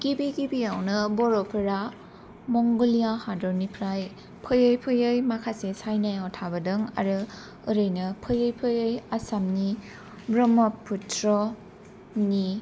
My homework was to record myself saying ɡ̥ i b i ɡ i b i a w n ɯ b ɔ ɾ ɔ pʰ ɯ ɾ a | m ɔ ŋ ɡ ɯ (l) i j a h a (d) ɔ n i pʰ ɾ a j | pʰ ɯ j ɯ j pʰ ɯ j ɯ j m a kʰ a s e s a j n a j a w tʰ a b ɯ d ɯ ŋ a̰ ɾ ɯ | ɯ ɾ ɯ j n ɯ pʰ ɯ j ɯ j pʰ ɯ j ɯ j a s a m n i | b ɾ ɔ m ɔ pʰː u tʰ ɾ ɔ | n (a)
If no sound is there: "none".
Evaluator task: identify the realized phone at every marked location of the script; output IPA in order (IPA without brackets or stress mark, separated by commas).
l, d, i